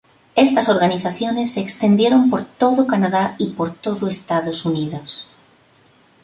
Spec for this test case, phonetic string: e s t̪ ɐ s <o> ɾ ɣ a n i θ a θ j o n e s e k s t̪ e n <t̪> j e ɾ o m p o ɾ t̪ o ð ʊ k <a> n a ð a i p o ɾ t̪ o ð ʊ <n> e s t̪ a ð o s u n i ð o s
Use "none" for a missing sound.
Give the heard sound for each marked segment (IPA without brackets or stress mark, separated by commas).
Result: o, d̪, a, none